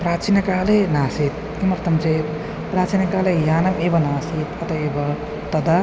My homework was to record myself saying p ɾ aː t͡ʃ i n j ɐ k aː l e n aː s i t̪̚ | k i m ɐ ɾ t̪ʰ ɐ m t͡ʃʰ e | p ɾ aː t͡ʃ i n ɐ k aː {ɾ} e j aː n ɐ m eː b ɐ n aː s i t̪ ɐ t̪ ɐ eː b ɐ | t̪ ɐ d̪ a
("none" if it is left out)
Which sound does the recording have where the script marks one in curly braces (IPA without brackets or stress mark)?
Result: l